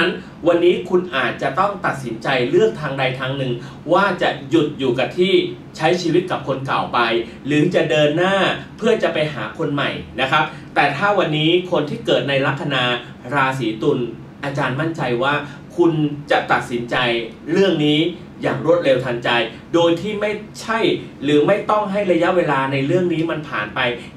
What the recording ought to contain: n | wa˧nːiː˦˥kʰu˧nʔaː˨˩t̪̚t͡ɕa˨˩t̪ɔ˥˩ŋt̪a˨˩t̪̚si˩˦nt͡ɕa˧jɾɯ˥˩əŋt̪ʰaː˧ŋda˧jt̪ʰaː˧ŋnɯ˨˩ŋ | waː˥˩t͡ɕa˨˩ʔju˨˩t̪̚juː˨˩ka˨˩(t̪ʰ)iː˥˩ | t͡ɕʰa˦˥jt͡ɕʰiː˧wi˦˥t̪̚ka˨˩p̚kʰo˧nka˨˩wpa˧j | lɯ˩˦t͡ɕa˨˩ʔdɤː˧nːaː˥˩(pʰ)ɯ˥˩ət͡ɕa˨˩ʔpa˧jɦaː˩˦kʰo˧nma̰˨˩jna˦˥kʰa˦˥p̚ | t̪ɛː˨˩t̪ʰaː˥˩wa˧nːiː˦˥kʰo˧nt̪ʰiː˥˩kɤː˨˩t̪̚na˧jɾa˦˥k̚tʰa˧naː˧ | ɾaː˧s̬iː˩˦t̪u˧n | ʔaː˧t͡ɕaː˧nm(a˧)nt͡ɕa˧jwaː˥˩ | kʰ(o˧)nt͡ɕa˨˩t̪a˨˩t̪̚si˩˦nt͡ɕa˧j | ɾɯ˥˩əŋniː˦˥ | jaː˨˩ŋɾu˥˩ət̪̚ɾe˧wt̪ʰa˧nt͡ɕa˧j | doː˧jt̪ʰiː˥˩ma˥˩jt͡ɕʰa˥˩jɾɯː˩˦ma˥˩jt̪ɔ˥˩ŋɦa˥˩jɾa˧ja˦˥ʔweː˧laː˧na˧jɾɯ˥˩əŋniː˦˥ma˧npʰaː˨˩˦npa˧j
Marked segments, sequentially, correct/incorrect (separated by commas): correct, correct, incorrect, incorrect